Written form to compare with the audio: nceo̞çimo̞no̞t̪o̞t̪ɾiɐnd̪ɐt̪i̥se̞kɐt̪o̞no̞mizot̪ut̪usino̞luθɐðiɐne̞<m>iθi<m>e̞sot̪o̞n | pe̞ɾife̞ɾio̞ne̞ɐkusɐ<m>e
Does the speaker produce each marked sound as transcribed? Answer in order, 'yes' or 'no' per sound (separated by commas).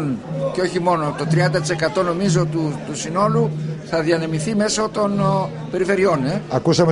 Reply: yes, yes, yes